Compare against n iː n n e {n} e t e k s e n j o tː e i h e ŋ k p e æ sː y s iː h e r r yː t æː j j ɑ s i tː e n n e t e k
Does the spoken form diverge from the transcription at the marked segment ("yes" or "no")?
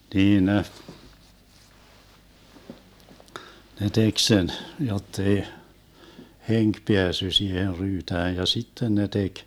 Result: no